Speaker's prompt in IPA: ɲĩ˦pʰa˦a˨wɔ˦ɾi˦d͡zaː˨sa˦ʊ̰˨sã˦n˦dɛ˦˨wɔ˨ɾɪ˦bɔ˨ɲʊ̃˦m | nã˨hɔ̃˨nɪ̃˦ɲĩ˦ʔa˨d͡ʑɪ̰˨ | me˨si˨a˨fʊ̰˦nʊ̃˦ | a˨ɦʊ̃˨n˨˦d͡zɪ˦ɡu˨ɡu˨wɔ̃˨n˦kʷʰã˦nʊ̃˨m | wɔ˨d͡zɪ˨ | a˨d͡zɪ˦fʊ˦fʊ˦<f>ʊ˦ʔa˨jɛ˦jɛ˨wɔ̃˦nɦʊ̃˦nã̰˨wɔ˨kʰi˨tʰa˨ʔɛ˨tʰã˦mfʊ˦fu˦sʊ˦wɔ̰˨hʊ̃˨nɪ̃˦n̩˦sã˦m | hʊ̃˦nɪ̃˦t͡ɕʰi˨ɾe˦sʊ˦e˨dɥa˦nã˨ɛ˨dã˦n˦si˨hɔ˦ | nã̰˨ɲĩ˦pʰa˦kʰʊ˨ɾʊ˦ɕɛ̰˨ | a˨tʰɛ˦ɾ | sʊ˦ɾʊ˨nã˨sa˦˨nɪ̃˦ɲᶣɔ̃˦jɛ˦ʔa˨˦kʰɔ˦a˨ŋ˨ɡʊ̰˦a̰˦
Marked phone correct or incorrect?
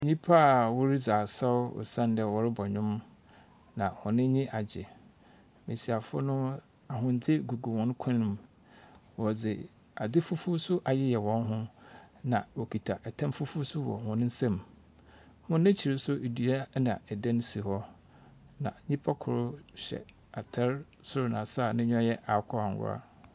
incorrect